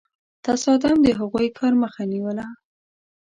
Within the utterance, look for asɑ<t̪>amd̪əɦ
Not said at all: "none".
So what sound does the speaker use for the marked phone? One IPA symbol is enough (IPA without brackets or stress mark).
d̪